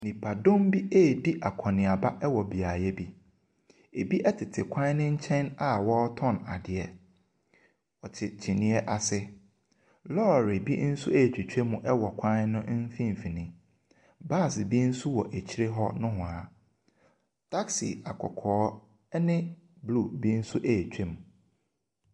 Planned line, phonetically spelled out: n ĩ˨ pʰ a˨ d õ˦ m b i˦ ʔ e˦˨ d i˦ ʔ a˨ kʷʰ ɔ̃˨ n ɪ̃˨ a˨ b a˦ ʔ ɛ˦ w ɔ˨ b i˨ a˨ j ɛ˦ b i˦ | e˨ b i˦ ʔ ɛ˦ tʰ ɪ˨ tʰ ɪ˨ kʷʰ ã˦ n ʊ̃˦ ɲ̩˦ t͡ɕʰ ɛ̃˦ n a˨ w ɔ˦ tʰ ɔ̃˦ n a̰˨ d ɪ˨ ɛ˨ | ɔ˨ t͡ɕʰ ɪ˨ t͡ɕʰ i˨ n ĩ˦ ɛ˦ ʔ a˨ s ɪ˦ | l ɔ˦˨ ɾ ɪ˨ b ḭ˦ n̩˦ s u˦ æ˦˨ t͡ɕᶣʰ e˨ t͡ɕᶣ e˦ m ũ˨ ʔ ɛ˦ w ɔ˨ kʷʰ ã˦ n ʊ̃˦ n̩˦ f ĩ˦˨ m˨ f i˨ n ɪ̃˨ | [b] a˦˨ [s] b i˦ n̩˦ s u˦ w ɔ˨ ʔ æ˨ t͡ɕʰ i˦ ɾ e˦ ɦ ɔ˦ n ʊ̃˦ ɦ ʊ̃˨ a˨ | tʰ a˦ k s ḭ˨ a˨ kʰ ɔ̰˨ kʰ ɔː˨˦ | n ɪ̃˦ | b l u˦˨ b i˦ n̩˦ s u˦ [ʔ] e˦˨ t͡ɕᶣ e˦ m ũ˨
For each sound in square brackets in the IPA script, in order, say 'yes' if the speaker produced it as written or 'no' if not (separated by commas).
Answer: yes, yes, yes